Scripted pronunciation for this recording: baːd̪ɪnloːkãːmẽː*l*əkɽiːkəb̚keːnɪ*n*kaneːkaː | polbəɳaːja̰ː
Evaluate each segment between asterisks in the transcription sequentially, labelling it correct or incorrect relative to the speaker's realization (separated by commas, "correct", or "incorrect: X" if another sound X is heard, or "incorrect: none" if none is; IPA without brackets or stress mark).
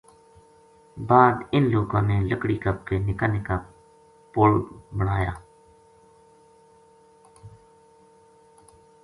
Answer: correct, incorrect: none